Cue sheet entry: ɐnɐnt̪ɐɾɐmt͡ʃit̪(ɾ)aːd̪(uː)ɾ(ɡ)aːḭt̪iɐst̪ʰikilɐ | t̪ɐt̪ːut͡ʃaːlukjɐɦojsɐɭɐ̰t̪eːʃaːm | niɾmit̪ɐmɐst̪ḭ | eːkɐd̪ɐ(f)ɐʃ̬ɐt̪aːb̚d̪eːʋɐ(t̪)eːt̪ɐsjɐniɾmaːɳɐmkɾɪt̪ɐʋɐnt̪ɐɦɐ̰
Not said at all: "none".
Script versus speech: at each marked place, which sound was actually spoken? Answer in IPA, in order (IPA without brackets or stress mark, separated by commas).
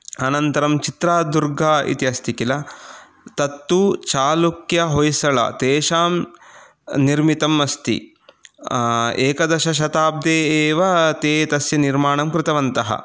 ɾ, u, ɡ, ʃ, t̪